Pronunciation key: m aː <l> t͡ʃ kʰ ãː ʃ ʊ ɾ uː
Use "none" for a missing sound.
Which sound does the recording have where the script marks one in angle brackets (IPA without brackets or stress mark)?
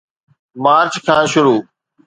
ɾ